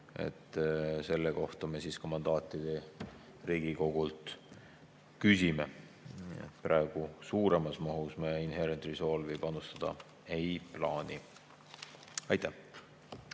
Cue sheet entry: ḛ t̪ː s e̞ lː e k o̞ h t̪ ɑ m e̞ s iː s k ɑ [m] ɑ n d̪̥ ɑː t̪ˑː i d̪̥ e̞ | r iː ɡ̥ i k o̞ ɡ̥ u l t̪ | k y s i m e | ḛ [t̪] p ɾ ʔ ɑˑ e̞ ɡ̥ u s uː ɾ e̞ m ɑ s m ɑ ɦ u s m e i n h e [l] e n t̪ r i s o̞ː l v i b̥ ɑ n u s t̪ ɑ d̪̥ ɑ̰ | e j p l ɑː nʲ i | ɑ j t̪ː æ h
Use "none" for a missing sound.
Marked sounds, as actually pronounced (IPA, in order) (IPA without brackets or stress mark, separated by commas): m, t̪, ɾ